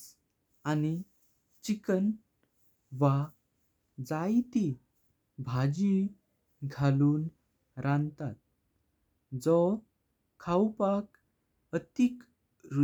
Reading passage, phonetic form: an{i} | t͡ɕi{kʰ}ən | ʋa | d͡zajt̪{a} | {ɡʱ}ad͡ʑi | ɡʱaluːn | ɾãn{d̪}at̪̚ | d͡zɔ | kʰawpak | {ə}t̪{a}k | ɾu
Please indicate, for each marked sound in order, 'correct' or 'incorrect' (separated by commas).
correct, incorrect, incorrect, incorrect, incorrect, correct, incorrect